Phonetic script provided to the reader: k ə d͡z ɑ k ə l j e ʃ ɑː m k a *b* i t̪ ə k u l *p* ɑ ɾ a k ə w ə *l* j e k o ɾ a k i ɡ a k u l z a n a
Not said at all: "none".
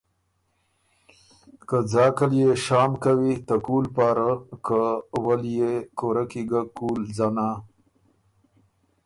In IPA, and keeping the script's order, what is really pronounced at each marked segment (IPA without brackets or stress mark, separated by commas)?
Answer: w, p, l